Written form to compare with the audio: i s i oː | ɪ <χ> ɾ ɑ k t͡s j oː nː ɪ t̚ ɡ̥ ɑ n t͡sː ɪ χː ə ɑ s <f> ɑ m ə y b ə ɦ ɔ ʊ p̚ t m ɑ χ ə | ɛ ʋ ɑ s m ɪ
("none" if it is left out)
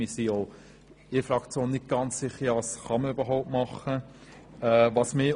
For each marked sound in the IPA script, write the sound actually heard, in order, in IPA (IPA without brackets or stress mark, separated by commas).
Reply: f, χ